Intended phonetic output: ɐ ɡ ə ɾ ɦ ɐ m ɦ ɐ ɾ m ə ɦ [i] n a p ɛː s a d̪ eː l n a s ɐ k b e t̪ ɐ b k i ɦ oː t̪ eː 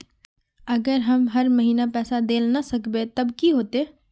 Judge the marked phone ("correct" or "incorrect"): incorrect